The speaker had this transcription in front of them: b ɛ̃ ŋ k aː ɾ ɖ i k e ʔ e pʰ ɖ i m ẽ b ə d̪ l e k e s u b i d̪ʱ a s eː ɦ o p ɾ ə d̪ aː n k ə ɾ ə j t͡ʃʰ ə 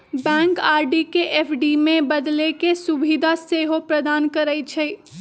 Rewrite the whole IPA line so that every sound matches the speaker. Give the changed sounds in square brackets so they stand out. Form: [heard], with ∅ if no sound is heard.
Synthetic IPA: b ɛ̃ ŋ k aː ɾ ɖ i k e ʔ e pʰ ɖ i m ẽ b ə d̪ l e k e s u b i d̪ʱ a s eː ɦ o p ɾ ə d̪ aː n k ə ɾ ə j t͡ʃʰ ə